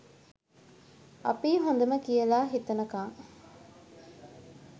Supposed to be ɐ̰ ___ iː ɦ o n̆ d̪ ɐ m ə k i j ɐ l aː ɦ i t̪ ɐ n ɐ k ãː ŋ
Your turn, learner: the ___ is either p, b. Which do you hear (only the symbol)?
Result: p